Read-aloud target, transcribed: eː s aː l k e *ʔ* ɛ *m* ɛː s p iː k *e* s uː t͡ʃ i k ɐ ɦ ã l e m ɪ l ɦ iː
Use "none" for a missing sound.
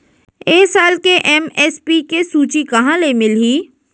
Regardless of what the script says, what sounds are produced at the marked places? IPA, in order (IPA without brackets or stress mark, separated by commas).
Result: ʔ, m, e